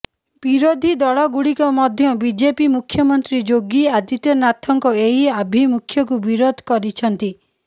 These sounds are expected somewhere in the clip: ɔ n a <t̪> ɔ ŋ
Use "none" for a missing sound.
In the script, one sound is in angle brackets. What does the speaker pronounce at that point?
t̪ʰ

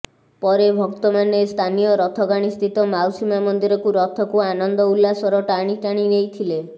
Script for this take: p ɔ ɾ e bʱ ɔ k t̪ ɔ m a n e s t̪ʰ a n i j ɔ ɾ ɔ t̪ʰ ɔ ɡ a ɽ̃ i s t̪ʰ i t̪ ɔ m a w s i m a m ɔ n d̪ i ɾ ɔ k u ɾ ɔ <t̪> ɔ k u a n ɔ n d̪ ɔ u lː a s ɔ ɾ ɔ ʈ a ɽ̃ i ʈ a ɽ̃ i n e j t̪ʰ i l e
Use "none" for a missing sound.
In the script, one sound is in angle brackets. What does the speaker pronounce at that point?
t̪ʰ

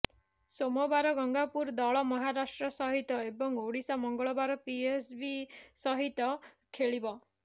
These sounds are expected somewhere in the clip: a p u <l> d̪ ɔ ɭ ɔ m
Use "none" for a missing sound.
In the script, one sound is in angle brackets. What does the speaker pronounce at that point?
ɾ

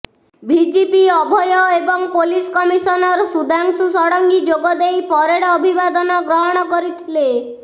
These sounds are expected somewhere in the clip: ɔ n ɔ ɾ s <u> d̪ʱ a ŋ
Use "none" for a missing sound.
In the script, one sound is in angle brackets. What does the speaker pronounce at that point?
u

